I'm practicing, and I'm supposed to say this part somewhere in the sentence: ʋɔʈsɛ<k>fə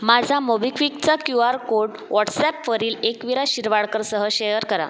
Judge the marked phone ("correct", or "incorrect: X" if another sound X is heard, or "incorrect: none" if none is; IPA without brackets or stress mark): incorrect: p